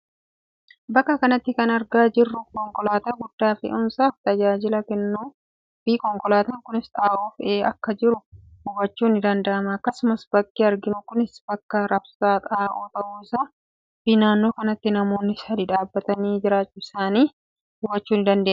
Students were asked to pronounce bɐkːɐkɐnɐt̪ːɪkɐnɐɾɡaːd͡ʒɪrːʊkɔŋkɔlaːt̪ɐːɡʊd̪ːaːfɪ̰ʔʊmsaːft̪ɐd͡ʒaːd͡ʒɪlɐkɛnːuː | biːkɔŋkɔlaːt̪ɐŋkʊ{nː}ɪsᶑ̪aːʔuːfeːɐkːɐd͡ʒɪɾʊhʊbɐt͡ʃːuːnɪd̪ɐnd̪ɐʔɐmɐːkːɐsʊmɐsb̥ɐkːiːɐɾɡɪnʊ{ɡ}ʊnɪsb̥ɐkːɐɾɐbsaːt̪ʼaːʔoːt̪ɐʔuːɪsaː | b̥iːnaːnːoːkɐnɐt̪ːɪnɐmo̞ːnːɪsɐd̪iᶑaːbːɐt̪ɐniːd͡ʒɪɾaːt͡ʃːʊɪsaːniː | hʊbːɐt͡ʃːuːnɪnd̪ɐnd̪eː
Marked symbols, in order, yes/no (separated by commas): no, no